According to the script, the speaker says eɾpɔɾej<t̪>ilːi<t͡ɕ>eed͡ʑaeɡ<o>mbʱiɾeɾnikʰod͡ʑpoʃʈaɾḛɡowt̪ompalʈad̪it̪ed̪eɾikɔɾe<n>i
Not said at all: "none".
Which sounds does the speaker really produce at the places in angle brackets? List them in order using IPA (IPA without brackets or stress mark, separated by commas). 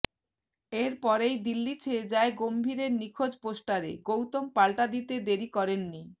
d̪, t͡ɕʰ, o, nː